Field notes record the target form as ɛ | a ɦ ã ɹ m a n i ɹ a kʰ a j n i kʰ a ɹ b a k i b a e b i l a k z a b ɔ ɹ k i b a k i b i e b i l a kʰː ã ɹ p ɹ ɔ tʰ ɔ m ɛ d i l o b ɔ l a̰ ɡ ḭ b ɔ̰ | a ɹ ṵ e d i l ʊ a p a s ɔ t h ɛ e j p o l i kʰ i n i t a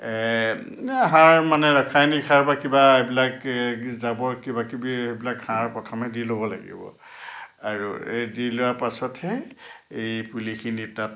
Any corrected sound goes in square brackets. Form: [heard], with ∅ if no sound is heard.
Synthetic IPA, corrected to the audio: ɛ | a ɦ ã ɹ m a n [ɛ] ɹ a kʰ a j n i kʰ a ɹ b a k i b a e b i l a k z a b ɔ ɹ k i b a k i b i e b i l a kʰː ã ɹ p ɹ ɔ tʰ ɔ m ɛ d i l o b ɔ l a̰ ɡ ḭ b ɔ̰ | a ɹ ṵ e d i l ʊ a p a s ɔ t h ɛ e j p [u] l i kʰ i n i t a